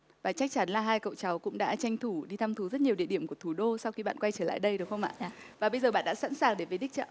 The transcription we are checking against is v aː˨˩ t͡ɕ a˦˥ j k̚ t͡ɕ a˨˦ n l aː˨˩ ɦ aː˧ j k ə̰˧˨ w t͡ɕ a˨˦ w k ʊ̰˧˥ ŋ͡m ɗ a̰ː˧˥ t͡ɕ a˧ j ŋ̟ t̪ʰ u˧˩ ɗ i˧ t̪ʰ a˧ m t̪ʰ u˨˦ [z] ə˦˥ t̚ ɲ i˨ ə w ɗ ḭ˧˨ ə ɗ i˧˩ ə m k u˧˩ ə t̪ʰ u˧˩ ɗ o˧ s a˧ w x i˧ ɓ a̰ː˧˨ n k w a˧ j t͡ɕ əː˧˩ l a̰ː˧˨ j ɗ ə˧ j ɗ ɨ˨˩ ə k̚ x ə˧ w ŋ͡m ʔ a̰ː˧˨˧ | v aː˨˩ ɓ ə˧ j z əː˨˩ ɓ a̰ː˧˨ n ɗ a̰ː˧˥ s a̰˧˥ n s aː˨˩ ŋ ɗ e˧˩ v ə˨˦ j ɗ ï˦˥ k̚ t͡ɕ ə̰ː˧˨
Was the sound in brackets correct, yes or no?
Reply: yes